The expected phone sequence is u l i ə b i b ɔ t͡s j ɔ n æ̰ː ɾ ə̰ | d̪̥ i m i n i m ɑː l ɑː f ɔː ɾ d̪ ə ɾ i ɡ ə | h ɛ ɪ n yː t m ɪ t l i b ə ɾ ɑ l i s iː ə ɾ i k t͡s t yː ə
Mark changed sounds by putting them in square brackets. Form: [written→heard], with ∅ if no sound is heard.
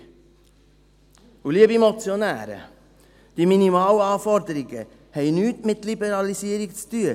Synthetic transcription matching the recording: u l i ə b i [b→m] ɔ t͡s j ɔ n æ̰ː ɾ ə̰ | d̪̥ i m i n i m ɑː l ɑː f [ɔː→ɔ] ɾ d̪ ə ɾ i ɡ ə | h ɛ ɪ n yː t m ɪ t l i b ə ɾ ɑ l i s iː ə ɾ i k t͡s t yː ə